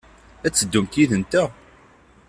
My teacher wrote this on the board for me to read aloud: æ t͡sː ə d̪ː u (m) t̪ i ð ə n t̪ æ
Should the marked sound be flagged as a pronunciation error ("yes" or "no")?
no